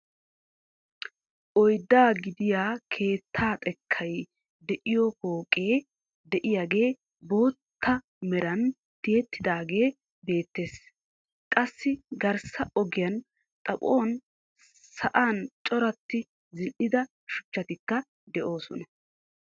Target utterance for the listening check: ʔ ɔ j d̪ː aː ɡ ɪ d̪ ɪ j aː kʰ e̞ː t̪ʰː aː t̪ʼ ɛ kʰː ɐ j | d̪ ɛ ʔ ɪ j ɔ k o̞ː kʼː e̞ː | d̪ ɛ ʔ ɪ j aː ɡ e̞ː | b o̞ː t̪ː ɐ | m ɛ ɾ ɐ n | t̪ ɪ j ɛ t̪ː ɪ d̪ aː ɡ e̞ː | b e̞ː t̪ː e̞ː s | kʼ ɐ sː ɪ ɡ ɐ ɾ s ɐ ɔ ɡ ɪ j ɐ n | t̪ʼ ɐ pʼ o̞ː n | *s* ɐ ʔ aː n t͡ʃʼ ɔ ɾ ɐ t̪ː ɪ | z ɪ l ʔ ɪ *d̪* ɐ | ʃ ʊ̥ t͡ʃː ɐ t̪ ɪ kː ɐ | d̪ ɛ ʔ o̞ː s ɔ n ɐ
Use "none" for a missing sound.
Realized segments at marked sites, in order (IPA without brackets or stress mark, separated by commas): s, d̪